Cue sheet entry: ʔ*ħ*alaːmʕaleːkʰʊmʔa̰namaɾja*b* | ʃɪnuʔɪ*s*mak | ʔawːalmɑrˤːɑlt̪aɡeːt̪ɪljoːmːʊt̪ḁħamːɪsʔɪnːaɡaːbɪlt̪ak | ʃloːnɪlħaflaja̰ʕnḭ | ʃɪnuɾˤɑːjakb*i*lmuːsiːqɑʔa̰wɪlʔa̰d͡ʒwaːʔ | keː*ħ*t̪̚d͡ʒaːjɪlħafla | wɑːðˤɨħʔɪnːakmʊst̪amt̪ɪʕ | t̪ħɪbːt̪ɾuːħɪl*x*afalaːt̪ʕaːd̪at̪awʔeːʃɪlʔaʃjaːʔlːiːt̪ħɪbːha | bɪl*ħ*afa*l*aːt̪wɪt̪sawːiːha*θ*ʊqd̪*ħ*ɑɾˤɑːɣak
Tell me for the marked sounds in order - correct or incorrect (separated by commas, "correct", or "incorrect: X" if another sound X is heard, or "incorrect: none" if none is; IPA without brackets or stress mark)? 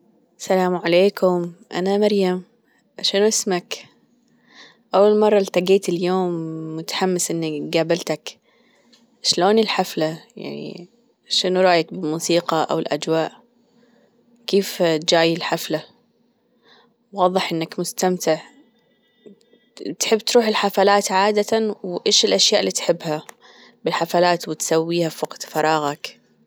incorrect: s, incorrect: m, correct, incorrect: ɪ, incorrect: f, incorrect: ħ, correct, correct, incorrect: f, incorrect: f